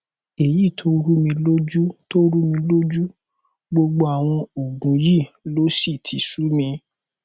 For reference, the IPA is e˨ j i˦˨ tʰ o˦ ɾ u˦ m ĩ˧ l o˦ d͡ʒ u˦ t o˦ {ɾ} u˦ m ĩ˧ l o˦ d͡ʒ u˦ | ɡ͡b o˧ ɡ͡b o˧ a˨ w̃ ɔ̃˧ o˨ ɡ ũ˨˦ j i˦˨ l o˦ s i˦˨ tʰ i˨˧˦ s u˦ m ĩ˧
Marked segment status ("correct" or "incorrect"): correct